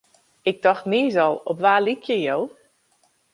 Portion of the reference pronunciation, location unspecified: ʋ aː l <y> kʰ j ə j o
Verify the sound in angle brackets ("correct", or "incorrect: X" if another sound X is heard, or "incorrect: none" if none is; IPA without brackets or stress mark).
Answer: incorrect: i